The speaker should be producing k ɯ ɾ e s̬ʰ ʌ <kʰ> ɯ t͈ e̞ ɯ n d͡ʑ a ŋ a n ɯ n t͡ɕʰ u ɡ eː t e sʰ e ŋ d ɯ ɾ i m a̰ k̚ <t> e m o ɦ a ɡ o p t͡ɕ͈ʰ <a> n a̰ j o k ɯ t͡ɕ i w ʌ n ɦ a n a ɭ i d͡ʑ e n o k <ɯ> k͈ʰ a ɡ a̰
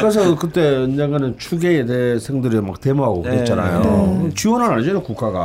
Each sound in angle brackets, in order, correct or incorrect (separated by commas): incorrect, correct, correct, incorrect